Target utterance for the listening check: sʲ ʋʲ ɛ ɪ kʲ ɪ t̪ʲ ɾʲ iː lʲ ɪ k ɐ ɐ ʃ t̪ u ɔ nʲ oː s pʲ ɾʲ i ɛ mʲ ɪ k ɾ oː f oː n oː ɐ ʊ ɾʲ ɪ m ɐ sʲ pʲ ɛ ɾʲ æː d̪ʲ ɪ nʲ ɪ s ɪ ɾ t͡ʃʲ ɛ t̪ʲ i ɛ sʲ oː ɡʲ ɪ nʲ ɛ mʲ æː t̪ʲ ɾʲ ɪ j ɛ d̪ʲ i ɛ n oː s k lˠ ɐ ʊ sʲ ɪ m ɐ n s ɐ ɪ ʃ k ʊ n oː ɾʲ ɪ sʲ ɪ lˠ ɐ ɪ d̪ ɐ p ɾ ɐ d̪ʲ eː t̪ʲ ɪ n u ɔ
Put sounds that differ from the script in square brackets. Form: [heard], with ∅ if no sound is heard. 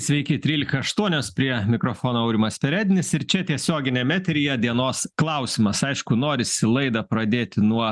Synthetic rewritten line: sʲ ʋʲ ɛ ɪ kʲ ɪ t̪ʲ ɾʲ iː lʲ ɪ k ɐ ɐ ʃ t̪ u ɔ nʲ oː s pʲ ɾʲ i ɛ mʲ ɪ k ɾ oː f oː n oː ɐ ʊ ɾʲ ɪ m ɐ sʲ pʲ ɛ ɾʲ æː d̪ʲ ɪ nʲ ɪ s ɪ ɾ t͡ʃʲ ɛ t̪ʲ i ɛ sʲ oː ɡʲ ɪ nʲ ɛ mʲ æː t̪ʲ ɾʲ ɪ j ɛ d̪ʲ i ɛ n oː s k lˠ ɐ ʊ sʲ ɪ m ɐ [∅] s ɐ ɪ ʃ k ʊ n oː ɾʲ ɪ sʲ ɪ lˠ ɐ ɪ d̪ ɐ p ɾ ɐ d̪ʲ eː t̪ʲ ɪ n u ɔ